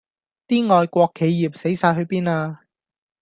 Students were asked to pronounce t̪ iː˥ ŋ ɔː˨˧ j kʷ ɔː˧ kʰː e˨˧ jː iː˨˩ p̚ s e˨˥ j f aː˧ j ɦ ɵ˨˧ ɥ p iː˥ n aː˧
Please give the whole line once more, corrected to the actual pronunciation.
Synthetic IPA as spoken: t̪ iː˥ ŋ ɔː˨˧ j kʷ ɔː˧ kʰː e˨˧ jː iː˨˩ p̚ s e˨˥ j s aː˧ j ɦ ɵ˨˧ ɥ p iː˥ n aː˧